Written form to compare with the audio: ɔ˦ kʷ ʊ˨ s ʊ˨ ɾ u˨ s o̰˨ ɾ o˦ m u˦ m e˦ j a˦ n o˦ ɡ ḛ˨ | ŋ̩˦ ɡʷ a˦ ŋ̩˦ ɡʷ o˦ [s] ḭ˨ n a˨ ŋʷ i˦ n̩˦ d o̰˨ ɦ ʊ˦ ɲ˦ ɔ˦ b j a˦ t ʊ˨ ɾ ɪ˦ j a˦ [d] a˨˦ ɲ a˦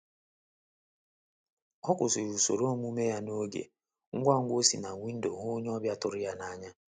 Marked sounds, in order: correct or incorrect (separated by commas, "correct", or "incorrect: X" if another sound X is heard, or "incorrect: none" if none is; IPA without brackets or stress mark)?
correct, incorrect: n